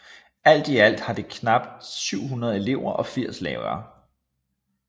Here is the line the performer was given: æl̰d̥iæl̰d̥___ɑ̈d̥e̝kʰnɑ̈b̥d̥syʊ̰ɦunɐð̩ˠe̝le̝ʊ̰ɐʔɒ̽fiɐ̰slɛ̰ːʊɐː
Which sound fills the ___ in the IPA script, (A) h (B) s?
A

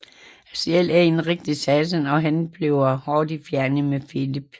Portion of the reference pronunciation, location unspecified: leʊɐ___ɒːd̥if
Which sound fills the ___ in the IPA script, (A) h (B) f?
A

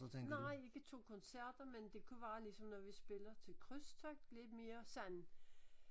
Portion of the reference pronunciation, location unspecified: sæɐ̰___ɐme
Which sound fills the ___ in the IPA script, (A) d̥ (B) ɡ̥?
A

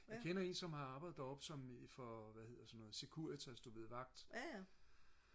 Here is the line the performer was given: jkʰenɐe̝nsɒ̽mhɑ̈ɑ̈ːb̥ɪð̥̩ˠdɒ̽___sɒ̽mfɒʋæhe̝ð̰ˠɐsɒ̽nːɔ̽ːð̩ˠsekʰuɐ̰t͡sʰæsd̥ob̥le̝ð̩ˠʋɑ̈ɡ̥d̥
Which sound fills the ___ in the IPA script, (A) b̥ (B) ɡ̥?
A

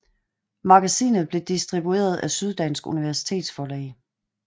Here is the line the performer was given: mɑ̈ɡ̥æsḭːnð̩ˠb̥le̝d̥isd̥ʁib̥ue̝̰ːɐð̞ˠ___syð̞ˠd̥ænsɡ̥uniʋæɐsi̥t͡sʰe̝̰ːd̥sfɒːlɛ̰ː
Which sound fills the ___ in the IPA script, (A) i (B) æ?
B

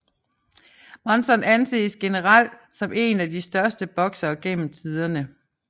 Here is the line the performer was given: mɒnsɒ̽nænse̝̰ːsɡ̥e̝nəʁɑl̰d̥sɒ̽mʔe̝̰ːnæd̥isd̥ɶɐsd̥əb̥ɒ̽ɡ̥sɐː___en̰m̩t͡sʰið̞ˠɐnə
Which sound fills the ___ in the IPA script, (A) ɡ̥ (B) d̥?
A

